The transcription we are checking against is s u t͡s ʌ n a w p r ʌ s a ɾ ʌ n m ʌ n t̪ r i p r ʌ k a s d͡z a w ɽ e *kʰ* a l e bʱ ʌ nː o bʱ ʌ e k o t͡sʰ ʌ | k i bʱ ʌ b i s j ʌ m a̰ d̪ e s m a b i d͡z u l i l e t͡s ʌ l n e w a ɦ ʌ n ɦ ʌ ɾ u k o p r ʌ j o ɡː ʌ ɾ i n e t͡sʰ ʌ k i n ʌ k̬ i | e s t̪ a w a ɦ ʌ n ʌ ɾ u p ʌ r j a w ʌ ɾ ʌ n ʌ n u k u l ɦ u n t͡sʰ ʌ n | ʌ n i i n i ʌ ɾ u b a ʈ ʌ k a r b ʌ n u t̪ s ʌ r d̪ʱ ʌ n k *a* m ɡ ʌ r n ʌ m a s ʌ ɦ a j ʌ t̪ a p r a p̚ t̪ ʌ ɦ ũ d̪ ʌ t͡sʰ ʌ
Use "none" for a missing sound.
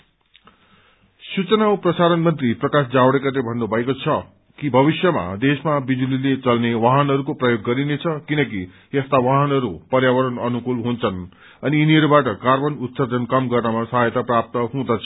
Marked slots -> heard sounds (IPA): k, ʌ

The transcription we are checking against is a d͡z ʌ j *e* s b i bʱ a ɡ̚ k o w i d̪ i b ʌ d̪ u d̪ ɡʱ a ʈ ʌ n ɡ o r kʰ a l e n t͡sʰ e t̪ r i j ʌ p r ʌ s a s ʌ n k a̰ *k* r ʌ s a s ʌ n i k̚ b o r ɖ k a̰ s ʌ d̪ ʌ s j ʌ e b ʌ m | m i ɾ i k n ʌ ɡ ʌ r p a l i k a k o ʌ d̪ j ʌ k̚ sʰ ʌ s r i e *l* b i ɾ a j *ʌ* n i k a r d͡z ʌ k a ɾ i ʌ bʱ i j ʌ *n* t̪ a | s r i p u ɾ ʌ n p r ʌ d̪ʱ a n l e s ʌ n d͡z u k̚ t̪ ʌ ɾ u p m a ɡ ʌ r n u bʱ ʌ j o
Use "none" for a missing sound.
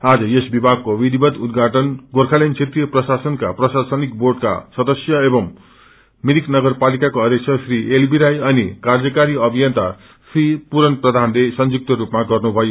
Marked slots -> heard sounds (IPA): e, p, l, ʌ, n

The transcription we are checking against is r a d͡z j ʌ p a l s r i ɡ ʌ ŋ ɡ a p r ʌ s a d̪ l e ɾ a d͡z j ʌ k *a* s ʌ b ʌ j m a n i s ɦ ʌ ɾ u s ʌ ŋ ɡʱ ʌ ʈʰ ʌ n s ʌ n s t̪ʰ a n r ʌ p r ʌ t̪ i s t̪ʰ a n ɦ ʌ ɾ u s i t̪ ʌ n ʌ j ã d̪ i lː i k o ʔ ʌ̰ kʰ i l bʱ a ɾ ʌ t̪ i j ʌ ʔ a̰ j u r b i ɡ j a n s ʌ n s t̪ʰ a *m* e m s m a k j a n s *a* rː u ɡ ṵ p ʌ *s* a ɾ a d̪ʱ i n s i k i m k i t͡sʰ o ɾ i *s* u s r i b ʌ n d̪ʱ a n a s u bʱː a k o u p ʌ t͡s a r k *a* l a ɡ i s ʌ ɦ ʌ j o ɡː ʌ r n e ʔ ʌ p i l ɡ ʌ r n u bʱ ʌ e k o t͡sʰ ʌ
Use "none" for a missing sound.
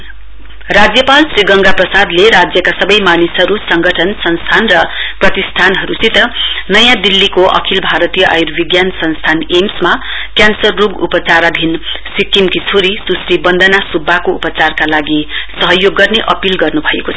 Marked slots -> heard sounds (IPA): a, n, ʌ, t͡s, s, a

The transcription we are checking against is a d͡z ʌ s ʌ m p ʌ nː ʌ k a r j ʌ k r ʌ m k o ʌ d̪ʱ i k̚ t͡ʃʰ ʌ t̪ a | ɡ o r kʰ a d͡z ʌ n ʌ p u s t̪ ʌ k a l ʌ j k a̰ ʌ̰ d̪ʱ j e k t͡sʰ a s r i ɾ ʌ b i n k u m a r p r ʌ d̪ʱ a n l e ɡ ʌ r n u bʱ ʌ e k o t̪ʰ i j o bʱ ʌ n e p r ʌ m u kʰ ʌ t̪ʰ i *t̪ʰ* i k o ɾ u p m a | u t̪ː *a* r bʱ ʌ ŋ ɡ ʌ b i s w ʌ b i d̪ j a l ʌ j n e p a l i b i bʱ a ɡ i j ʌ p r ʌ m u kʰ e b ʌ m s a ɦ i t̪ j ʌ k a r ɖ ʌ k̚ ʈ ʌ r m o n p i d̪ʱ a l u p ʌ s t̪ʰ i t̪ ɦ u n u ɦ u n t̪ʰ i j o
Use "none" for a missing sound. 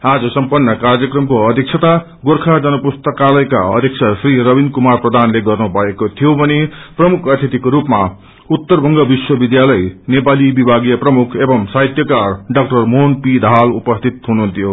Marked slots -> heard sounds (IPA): t̪, ʌ

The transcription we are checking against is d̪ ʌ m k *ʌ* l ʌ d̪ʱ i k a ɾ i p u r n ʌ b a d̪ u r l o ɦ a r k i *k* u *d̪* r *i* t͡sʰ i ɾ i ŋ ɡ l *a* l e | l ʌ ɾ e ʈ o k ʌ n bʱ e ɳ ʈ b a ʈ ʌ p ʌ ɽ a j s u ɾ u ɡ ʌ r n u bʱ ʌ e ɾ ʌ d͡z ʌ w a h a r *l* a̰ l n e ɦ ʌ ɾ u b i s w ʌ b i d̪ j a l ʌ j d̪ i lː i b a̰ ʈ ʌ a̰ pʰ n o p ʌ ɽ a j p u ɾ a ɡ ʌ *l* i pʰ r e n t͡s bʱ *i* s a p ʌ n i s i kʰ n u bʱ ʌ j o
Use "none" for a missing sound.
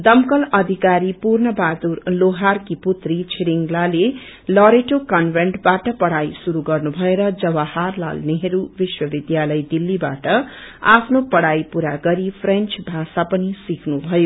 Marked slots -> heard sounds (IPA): ʌ, p, t̪, i, a, l, ɾ, a

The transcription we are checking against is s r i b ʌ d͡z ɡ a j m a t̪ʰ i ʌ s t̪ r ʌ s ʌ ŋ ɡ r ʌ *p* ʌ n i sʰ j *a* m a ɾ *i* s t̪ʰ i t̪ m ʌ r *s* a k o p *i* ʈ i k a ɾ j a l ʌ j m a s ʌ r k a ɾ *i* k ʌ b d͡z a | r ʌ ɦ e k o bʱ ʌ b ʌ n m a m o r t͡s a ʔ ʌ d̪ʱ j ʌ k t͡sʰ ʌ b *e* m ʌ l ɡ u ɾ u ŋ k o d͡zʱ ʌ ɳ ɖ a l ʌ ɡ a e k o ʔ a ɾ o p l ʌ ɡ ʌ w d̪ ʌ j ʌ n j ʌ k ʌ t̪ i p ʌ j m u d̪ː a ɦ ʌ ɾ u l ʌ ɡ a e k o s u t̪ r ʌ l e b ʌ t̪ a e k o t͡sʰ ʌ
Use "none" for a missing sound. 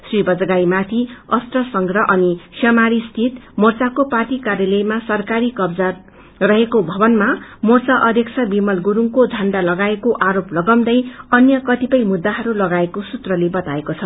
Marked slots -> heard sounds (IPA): ʔ, ʌ, i, t͡s, a, i, i

